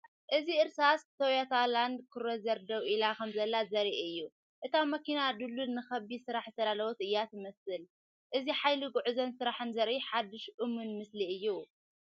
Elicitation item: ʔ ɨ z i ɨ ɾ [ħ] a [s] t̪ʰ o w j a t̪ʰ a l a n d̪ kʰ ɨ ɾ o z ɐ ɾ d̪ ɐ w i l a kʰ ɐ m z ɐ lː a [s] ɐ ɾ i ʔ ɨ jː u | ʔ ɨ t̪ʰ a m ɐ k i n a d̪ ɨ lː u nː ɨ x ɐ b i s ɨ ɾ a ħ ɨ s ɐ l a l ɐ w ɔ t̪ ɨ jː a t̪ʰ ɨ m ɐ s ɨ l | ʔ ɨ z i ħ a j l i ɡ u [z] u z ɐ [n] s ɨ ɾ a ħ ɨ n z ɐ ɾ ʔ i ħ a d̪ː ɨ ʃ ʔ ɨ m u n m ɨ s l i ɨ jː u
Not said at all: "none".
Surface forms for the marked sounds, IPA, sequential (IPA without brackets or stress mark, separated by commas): s, s, z, ʕ, n